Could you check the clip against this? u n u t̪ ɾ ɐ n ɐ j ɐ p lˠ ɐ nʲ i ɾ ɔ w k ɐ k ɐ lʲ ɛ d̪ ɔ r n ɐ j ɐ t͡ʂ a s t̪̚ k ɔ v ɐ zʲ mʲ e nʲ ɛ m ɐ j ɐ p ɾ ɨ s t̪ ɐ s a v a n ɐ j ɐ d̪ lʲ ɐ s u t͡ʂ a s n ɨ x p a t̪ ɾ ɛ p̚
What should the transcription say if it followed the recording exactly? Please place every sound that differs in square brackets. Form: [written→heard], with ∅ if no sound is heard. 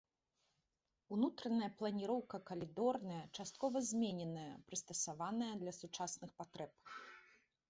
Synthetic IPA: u n u t̪ ɾ ɐ n ɐ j ɐ p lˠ ɐ nʲ i ɾ ɔ w k ɐ k ɐ lʲ [ɛ→i] d̪ ɔ r n ɐ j ɐ t͡ʂ a s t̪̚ k ɔ v ɐ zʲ mʲ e nʲ ɛ [m→n] ɐ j ɐ p ɾ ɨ s t̪ ɐ s a v a n ɐ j ɐ d̪ lʲ ɐ s u t͡ʂ a s n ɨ x p a t̪ ɾ ɛ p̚